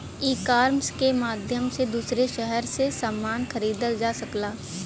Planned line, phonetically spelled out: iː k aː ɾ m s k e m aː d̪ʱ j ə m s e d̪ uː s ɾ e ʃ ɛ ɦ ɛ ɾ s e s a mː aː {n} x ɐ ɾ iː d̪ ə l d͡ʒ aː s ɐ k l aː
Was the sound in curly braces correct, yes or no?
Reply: yes